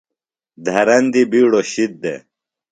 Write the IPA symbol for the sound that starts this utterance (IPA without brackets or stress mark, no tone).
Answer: d̪ʱ